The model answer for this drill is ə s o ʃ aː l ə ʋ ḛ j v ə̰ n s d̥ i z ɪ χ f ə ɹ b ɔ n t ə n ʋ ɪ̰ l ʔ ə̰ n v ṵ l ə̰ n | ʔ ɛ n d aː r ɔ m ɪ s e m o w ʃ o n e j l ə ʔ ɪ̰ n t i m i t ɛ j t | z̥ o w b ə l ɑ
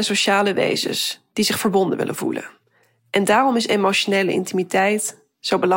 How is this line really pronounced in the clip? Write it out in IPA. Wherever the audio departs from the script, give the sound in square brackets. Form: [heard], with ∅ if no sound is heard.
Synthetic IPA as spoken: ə s o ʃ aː l ə ʋ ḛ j [z] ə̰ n s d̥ i z ɪ χ f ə ɹ b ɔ n [d] ə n ʋ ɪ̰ l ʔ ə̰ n v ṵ l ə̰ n | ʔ ɛ n d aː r ɔ m ɪ s e m o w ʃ o n e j l ə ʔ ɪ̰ n t i m i t ɛ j t | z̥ o w b ə l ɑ